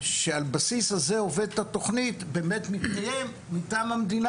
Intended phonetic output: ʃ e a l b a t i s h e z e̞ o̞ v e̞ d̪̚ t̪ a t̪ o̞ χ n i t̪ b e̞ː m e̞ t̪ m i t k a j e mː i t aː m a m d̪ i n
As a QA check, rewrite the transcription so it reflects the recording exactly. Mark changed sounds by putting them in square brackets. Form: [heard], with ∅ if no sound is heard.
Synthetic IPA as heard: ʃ e a l b a [s] i s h [a] z e̞ o̞ v e̞ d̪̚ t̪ a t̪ o̞ χ n i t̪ b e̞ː m e̞ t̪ m i t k a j e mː i t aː m a m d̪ i n